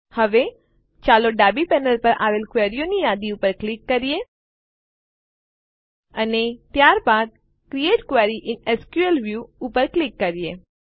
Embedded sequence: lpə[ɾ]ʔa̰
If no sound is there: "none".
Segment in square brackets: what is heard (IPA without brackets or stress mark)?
ɾ